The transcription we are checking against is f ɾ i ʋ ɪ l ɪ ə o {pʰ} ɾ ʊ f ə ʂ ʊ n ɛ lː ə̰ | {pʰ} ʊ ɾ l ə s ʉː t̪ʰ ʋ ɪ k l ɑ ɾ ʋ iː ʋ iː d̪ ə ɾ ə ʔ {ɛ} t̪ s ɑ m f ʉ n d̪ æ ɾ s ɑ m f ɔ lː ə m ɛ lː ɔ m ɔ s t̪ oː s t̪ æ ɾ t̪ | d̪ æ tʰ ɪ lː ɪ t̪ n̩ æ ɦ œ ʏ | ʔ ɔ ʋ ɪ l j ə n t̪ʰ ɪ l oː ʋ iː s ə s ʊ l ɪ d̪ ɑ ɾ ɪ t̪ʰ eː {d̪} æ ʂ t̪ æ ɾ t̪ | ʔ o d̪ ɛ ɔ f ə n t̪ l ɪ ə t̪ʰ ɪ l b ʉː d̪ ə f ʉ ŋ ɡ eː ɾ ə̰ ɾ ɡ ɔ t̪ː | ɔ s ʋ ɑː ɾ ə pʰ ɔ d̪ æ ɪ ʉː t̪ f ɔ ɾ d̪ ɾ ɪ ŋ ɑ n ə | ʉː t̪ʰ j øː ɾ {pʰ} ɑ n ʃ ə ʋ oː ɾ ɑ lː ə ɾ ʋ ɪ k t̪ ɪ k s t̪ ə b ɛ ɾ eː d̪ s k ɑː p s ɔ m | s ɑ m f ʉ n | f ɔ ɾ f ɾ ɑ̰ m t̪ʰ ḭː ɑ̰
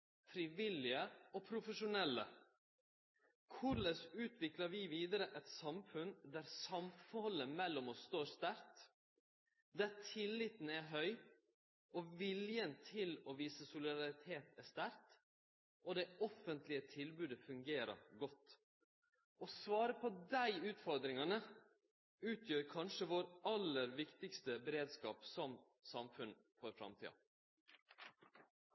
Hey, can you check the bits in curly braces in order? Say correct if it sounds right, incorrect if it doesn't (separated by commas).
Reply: correct, incorrect, correct, incorrect, incorrect